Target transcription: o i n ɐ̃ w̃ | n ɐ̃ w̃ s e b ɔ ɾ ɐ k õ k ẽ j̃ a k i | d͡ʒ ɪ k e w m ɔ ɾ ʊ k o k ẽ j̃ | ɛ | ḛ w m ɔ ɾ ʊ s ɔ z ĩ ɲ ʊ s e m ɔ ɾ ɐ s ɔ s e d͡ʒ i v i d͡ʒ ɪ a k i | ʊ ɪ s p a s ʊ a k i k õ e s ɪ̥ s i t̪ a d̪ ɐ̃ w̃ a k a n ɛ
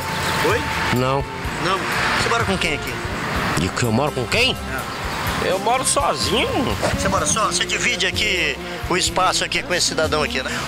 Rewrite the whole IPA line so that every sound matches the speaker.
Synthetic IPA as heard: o j n ɐ̃ w̃ | n ɐ̃ w̃ s e m ɔ ɾ ɐ k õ k ẽ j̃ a k i | d͡ʒ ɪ k e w m ɔ ɾ ʊ k õ k ẽ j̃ | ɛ | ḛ w m ɔ ɾ ʊ s ɔ z ĩ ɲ ʊ s e m ɔ ɾ ɐ s ɔ s e d͡ʒ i v i d͡ʒ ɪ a k i | ʊ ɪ s p a s ʊ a k i k õ e s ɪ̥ s i d̪ a d̪ ɐ̃ w̃ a k i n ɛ